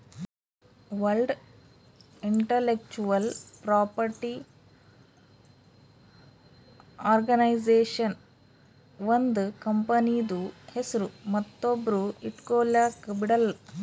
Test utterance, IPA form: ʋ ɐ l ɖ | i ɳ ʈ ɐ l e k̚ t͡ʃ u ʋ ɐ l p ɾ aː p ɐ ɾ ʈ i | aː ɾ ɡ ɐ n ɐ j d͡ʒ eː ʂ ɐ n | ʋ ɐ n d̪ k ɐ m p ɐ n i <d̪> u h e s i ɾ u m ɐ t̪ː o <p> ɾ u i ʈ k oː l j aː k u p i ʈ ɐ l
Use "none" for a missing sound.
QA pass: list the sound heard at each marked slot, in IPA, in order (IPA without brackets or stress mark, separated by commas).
d̪, b